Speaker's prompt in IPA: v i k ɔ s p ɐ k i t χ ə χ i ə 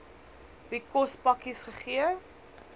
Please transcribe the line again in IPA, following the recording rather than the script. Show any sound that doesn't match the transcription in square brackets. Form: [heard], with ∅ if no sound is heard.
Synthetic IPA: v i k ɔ s p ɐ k i [s] χ ə χ i ə